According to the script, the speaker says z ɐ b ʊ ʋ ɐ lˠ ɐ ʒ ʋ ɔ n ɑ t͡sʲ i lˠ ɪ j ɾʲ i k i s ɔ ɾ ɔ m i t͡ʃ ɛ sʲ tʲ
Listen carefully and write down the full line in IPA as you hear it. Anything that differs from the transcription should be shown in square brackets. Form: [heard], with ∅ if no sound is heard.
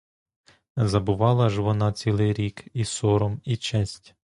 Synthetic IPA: z ɐ b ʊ ʋ [ɑ] lˠ ɐ ʒ ʋ ɔ n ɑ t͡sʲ i lˠ ɪ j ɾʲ i k i s ɔ ɾ ɔ m i t͡ʃ ɛ sʲ tʲ